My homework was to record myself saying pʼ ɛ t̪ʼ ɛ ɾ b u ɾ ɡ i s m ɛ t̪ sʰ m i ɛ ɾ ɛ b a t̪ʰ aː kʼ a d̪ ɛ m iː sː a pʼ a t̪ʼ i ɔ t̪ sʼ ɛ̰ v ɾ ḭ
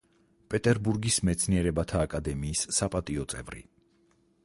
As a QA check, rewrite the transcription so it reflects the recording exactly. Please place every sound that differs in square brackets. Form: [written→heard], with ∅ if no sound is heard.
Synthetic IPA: pʼ ɛ t̪ʼ ɛ ɾ b u ɾ ɡ i s m ɛ t̪ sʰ [m→n] i ɛ ɾ ɛ b a t̪ʰ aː kʼ a d̪ ɛ m iː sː a pʼ a t̪ʼ i ɔ t̪ sʼ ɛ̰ v ɾ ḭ